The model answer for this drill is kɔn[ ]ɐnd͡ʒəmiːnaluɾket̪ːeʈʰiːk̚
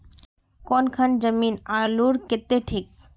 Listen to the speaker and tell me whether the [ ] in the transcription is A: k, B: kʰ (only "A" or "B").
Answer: B